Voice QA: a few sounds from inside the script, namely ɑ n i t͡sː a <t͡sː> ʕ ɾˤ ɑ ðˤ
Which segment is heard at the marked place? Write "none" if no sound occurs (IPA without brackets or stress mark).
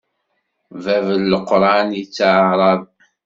none